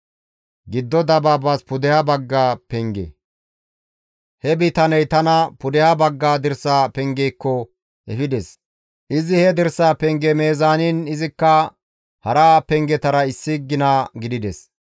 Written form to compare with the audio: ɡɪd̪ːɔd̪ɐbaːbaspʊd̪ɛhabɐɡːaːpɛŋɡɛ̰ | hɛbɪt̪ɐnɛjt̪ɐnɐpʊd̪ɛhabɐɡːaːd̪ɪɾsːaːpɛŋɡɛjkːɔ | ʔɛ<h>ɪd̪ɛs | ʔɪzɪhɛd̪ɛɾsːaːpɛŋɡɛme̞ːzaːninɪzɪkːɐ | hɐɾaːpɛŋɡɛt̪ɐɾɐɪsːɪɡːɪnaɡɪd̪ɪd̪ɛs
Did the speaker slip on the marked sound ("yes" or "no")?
yes